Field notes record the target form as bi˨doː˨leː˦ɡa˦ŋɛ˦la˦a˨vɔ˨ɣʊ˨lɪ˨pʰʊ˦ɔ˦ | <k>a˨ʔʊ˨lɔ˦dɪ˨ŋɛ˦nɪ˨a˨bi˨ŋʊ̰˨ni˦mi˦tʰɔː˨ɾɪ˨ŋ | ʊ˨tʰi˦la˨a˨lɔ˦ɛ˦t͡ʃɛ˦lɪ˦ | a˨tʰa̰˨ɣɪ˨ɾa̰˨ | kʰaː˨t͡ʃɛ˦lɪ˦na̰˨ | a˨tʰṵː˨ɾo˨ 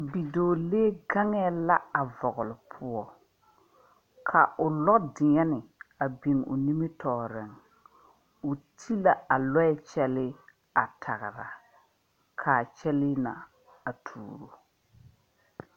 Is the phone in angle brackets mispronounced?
yes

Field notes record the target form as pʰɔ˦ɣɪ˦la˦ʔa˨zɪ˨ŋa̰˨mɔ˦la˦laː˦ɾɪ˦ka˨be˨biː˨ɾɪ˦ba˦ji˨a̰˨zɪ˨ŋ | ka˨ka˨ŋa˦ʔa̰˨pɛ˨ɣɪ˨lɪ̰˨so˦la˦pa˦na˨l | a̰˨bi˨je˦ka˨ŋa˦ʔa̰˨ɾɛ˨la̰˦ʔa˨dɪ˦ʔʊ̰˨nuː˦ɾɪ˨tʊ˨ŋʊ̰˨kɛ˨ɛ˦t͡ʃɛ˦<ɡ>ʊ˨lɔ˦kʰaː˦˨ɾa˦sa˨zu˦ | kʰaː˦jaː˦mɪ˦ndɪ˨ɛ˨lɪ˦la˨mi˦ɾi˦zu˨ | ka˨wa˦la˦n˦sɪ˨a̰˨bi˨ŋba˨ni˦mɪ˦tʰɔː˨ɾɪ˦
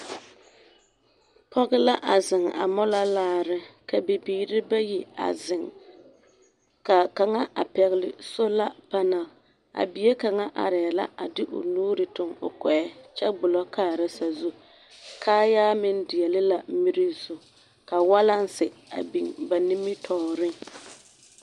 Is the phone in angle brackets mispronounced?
yes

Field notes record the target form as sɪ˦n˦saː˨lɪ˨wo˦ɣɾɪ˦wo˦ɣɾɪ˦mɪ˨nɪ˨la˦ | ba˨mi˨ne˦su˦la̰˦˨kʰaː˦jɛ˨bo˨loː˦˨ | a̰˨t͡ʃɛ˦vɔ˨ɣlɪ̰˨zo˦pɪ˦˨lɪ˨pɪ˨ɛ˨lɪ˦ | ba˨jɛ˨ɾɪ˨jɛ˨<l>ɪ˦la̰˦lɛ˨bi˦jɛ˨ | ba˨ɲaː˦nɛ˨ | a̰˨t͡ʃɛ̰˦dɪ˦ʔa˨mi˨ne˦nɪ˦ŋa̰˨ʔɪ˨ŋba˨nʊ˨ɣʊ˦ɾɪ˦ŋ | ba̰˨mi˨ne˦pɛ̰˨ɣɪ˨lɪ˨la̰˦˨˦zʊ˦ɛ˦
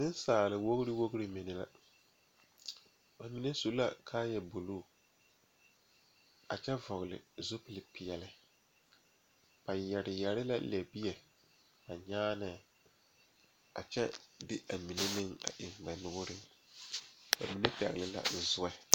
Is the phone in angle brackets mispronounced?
yes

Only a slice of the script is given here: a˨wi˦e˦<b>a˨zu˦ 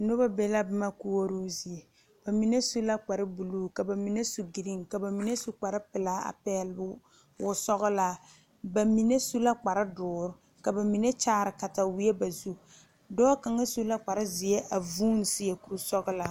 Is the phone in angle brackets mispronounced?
no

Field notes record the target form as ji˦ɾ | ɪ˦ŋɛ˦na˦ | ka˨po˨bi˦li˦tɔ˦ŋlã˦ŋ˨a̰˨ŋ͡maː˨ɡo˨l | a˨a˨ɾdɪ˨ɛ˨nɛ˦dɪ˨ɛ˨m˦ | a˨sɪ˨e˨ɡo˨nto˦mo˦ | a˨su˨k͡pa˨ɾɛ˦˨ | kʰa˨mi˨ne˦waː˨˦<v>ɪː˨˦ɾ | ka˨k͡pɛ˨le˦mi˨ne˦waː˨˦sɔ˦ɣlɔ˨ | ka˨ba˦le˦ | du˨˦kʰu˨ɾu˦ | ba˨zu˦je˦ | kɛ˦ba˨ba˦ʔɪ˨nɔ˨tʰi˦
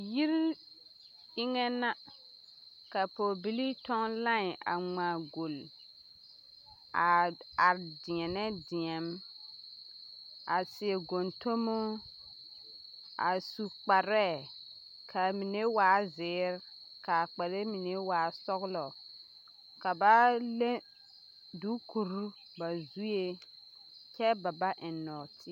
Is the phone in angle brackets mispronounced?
yes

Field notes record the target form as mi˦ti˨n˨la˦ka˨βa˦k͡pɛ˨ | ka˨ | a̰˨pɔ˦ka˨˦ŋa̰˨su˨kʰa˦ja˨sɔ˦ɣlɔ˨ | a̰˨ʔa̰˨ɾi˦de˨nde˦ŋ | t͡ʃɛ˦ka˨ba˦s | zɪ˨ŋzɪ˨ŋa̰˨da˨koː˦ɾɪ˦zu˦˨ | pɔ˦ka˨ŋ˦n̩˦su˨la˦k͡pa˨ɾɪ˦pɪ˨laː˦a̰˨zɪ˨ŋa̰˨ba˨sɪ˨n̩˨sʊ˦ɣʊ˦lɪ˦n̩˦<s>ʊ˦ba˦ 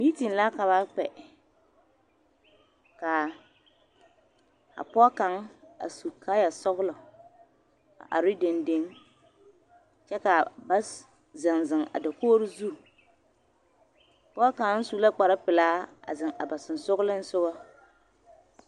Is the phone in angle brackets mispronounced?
no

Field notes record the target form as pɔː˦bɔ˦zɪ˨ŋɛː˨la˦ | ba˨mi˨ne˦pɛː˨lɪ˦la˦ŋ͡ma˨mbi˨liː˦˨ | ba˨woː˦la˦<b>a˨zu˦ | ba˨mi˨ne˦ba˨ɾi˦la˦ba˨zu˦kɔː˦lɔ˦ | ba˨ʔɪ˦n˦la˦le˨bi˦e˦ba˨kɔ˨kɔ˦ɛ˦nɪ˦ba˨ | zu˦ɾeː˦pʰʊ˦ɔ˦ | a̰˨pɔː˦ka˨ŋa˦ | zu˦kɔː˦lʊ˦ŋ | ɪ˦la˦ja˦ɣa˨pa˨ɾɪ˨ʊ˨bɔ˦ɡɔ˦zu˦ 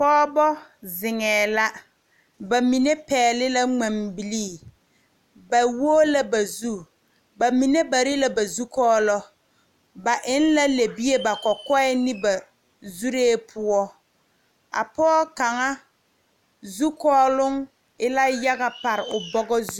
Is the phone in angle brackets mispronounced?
no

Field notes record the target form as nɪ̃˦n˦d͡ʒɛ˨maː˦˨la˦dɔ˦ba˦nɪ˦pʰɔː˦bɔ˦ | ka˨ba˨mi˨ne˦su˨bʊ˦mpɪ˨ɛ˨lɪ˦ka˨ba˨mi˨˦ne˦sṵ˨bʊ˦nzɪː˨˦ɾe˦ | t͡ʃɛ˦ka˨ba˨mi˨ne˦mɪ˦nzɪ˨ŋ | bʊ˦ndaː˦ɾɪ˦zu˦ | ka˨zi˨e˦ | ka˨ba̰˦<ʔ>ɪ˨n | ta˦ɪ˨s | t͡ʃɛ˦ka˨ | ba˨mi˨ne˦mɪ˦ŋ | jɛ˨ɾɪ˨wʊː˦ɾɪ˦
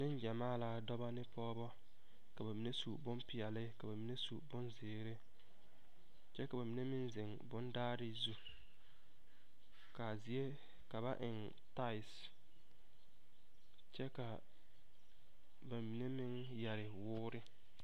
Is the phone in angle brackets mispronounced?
no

